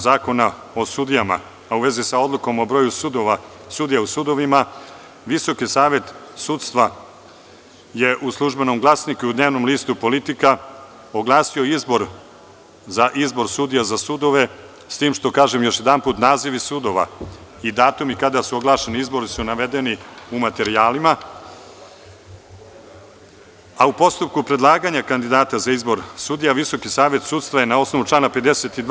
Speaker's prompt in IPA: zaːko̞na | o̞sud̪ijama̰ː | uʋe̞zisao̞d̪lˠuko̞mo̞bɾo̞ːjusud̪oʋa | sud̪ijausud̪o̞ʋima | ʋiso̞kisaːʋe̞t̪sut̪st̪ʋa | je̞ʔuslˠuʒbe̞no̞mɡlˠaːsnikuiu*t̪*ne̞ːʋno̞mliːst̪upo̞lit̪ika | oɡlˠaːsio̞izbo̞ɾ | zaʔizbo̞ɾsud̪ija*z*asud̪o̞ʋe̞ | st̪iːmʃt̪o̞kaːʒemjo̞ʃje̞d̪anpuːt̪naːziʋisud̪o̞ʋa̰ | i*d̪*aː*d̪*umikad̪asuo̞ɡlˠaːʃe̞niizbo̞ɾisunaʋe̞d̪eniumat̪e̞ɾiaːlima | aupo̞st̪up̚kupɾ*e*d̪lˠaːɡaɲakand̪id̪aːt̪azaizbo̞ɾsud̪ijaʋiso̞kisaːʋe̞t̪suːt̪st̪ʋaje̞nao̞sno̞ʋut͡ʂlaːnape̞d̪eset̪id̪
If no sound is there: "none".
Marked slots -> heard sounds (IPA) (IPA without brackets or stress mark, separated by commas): d̪, z, d̪, t̪, e